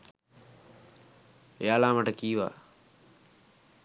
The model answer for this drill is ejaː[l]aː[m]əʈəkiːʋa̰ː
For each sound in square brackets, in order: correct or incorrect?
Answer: correct, correct

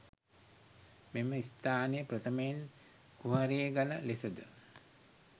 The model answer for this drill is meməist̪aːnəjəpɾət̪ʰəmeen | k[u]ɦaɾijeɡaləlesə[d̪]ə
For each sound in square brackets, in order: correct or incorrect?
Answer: correct, correct

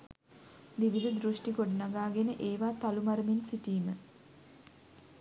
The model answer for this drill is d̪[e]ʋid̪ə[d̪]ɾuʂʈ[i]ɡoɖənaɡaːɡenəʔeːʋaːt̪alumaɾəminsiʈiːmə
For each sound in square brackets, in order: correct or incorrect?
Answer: incorrect: i, correct, correct

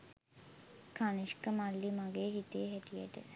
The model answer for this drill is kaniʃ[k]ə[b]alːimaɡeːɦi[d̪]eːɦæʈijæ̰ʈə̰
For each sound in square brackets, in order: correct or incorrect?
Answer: correct, incorrect: m, incorrect: t̪

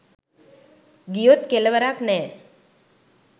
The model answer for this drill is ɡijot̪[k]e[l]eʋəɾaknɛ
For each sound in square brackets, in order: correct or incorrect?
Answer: correct, correct

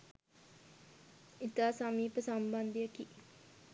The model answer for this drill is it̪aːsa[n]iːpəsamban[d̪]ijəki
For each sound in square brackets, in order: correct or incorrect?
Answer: incorrect: m, correct

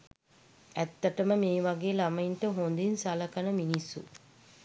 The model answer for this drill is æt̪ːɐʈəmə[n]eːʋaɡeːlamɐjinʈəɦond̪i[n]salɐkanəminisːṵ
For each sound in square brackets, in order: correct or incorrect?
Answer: incorrect: m, correct

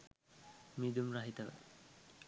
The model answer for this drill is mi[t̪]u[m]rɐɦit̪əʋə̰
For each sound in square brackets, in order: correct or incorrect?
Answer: incorrect: d̪, correct

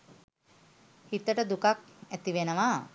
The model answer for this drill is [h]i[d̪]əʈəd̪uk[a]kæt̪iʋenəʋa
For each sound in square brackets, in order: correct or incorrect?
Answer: correct, incorrect: t̪, correct

